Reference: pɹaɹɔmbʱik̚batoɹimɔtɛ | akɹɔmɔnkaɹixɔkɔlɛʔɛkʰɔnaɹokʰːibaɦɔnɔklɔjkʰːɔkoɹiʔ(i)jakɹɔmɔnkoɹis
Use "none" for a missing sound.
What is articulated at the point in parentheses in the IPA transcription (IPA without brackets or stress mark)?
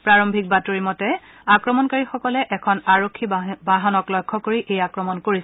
e